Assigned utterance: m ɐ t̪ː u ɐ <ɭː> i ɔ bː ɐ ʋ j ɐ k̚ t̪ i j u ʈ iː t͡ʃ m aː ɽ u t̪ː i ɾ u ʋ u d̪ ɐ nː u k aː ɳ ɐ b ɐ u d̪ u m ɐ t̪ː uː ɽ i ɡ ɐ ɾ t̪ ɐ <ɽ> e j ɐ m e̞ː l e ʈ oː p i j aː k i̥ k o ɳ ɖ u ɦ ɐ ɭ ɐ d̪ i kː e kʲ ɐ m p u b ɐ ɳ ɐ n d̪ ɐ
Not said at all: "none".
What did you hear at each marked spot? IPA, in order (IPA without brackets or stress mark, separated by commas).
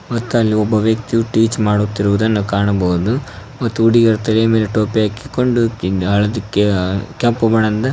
lː, l